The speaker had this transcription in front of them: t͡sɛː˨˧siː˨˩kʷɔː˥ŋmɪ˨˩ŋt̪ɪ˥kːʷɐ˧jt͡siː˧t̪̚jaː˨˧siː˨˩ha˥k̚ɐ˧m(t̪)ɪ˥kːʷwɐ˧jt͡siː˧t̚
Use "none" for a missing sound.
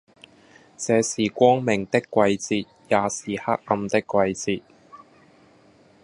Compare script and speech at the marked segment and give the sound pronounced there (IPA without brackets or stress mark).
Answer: t̪